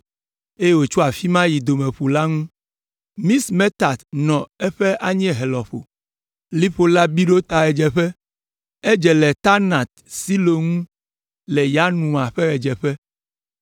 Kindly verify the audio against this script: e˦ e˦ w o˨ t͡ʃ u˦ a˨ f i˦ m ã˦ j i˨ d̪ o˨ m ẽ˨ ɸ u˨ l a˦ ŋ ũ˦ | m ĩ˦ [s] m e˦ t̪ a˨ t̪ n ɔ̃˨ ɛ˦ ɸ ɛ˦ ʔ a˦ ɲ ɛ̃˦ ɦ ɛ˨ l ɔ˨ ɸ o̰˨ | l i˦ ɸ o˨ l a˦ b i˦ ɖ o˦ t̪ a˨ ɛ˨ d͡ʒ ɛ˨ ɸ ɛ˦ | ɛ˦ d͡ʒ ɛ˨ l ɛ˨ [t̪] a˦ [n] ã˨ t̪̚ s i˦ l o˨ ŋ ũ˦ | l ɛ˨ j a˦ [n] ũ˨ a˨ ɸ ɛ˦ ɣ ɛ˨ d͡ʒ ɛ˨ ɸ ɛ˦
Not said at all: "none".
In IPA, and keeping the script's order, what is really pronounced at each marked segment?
s, t̪, n, n

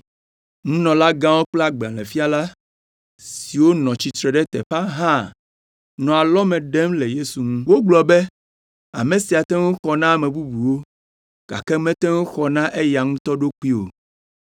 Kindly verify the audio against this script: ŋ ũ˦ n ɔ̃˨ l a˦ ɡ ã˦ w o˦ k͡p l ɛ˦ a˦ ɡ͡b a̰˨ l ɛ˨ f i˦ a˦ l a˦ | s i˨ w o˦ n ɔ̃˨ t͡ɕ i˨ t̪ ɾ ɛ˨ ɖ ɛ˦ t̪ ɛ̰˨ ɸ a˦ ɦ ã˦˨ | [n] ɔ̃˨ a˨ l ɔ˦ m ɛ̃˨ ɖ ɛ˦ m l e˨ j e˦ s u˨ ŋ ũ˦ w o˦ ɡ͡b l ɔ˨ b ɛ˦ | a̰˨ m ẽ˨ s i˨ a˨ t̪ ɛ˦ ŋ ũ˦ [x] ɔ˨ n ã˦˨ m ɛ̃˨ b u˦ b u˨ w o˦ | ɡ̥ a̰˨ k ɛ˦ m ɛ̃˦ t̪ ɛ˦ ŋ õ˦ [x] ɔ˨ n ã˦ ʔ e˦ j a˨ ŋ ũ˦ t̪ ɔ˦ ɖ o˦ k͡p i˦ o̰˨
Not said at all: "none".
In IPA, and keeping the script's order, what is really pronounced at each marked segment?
n, x, x

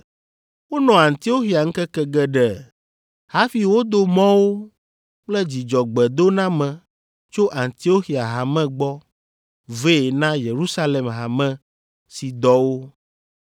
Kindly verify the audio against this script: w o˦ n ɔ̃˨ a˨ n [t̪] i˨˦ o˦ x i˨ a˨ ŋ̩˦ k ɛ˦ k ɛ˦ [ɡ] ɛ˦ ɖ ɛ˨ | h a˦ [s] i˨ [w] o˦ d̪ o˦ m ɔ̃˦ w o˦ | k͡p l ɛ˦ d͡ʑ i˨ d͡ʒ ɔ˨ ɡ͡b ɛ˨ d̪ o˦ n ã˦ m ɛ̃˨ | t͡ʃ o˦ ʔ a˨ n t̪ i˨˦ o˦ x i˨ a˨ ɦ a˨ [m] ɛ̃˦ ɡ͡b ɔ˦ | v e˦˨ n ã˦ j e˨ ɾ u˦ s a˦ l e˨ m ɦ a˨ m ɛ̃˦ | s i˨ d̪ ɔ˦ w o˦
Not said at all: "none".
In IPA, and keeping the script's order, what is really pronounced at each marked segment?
t̪, ɡ, f, w, m

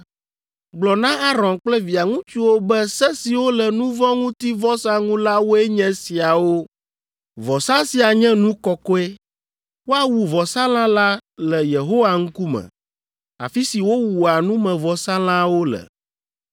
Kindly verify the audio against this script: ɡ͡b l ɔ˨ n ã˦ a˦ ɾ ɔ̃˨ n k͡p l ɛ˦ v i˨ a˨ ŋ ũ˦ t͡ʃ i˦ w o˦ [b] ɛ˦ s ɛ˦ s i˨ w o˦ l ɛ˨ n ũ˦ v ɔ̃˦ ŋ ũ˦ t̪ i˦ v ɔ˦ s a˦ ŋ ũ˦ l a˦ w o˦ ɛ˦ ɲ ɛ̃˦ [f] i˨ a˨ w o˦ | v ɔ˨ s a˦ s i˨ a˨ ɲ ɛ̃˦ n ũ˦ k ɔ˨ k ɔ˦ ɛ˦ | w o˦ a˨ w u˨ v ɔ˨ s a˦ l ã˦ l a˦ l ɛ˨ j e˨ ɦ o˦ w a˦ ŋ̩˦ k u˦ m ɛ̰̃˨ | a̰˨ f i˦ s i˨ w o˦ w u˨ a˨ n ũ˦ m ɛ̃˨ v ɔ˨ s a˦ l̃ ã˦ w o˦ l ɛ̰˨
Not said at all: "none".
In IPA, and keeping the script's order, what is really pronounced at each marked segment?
b, s

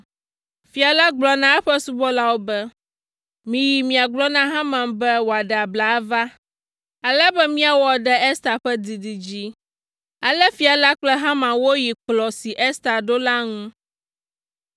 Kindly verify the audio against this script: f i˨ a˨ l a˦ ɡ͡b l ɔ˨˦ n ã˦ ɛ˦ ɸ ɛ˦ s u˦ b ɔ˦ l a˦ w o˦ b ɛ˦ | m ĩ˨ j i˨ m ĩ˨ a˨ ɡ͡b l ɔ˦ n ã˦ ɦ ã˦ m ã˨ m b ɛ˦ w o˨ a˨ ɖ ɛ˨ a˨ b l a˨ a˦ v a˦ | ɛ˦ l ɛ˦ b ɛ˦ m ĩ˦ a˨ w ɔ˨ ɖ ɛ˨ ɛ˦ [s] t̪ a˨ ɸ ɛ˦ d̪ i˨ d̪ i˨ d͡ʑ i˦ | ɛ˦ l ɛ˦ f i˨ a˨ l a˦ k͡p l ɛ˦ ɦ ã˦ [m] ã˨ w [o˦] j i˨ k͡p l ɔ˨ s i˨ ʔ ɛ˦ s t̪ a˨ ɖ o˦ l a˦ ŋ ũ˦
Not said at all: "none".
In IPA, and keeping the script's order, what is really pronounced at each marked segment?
s, m, o˦

